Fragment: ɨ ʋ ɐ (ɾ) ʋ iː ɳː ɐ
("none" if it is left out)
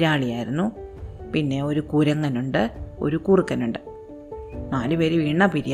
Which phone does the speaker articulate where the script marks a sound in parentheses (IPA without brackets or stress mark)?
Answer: ɾ